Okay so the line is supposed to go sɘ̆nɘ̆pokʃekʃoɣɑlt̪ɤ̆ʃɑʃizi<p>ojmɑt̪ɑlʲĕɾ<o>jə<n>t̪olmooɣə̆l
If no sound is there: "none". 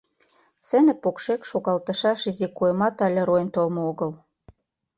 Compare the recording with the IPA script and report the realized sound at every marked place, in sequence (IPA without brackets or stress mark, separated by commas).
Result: k, o, n